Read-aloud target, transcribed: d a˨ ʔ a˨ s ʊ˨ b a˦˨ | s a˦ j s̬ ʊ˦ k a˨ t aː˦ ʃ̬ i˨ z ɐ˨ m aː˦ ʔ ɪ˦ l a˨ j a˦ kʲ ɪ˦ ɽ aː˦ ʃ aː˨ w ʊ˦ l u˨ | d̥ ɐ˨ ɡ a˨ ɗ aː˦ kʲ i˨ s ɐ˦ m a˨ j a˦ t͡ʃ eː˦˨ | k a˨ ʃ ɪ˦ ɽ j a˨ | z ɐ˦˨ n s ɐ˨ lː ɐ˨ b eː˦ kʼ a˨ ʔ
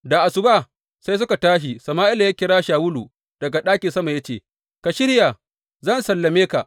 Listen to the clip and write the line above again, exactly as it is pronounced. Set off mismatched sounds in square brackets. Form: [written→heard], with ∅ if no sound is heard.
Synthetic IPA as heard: d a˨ ʔ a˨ s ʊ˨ b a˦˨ | s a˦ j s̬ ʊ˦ k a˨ t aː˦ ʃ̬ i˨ [z→s] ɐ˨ m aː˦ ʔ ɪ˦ l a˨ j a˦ kʲ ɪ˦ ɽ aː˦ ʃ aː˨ w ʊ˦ l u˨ | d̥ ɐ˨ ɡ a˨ ɗ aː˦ kʲ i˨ s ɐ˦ m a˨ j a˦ t͡ʃ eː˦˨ | k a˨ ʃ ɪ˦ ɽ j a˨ | z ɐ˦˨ n s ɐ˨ lː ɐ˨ [b→m] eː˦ [kʼ→k] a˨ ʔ